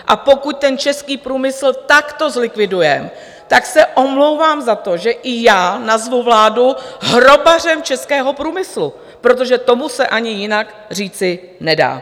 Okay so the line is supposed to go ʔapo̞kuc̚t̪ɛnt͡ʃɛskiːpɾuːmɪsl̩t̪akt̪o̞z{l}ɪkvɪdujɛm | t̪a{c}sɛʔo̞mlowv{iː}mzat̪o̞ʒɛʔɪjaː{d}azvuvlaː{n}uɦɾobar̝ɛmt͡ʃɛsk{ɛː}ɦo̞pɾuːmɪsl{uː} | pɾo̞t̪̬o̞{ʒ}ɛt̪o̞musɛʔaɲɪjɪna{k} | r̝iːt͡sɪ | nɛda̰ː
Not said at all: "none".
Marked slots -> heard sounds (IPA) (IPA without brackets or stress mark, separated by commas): l, k, aː, n, d, ɛː, u, ʒ, k